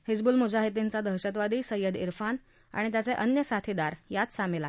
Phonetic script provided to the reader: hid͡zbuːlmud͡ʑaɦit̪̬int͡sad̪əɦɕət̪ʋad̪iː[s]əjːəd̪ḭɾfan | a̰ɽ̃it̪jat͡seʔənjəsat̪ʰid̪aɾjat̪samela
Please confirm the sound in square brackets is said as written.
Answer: yes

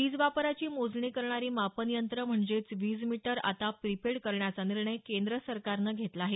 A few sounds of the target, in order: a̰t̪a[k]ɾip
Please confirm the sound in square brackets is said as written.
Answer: no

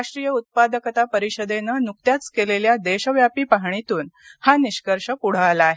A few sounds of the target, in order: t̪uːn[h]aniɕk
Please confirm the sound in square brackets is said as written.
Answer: yes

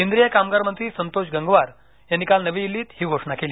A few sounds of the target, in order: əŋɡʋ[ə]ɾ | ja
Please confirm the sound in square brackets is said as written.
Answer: no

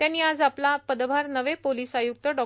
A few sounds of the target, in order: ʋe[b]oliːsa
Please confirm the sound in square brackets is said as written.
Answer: no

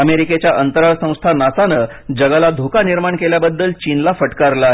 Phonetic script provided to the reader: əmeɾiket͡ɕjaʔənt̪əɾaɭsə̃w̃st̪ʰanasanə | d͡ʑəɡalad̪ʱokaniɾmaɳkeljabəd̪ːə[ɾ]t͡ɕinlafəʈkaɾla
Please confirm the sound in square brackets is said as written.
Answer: no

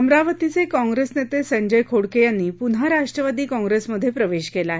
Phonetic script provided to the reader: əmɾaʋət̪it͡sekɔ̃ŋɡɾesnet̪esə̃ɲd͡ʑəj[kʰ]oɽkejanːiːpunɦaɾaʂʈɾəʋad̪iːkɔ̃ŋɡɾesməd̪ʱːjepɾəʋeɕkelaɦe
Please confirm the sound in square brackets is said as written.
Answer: yes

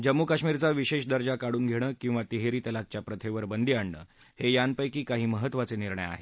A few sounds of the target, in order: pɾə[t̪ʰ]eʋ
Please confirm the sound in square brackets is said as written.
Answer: yes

